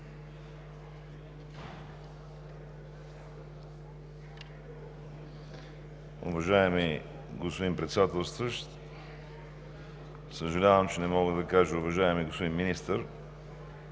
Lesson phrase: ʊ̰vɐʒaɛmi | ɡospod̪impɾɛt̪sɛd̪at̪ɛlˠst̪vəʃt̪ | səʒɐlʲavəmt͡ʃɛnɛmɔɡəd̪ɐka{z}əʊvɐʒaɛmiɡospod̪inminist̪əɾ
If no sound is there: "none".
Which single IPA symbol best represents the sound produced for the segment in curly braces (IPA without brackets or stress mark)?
ʒ